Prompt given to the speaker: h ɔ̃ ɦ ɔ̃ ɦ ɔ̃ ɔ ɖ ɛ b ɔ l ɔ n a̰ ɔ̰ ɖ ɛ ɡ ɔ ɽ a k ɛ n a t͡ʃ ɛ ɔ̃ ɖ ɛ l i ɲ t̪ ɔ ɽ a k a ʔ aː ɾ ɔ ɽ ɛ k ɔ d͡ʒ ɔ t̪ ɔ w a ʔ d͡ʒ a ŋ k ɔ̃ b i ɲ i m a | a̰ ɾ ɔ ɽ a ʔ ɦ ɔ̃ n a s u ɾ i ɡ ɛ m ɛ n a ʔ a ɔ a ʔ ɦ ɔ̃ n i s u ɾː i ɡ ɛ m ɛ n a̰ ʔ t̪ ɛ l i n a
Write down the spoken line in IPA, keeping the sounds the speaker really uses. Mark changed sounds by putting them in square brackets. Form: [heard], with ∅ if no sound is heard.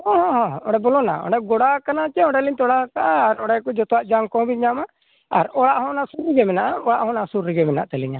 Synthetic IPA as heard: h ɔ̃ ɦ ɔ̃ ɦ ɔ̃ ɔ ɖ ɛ b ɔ l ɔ n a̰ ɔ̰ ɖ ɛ ɡ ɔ ɽ a k [a] n a t͡ʃ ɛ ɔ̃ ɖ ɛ l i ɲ t̪ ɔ ɽ a k a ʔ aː ɾ ɔ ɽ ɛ k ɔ d͡ʒ ɔ t̪ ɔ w a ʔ d͡ʒ a ŋ k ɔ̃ b i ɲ [a] m a | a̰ ɾ ɔ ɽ a ʔ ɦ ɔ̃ n a s u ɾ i ɡ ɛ m ɛ n a ʔ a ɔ a ʔ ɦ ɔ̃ n [a] s u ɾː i ɡ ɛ m ɛ n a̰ ʔ t̪ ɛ l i [ɲ] a